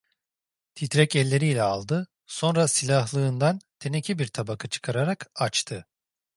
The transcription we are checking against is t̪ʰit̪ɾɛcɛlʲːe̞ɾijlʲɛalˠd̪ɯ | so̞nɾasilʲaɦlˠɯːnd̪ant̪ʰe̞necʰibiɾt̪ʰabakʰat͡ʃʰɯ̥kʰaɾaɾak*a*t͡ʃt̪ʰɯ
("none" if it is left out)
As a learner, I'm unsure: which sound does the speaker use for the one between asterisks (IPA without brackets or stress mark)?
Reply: a